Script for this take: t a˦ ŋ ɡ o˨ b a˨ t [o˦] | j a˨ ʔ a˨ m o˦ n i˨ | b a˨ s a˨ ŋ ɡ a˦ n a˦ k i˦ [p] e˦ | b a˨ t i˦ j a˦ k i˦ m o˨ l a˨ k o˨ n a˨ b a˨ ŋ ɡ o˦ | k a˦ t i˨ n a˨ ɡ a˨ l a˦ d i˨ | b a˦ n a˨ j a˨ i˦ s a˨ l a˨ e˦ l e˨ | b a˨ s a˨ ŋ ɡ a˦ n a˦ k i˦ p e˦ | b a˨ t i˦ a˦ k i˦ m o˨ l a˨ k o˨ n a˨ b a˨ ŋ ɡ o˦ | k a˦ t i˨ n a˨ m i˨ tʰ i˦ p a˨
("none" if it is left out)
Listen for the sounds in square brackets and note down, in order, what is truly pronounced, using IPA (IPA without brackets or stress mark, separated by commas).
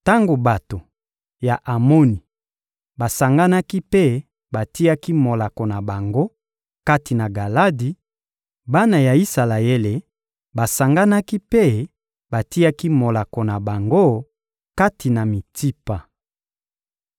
o˨, p